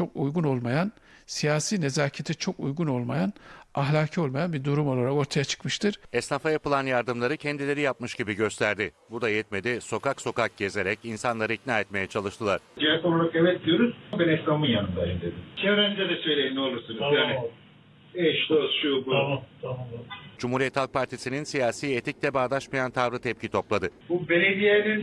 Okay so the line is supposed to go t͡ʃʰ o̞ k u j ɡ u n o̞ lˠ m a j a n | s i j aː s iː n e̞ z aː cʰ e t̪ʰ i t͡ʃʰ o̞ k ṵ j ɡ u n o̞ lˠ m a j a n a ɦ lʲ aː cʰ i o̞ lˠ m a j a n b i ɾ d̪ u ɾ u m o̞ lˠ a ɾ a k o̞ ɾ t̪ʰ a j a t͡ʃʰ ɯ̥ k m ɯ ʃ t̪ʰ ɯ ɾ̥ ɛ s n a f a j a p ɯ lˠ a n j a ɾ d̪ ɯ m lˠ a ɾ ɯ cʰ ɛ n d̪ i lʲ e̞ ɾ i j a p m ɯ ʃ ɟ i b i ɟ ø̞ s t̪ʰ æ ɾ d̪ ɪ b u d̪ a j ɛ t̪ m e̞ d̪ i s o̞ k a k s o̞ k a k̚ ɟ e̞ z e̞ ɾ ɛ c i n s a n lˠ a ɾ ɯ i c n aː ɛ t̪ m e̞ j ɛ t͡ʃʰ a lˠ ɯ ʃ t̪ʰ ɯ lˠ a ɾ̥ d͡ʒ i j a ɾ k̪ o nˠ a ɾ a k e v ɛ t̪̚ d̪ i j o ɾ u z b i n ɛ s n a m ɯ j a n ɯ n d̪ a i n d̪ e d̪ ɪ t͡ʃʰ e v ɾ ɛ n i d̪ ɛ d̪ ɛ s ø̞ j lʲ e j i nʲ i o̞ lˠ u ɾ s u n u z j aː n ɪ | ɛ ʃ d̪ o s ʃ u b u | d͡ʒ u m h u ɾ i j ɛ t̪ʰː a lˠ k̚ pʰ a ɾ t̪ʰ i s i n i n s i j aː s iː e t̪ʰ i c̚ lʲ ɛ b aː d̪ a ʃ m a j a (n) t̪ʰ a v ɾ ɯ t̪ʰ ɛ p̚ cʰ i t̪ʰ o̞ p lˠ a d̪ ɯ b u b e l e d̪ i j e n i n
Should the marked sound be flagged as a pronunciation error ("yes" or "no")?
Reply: no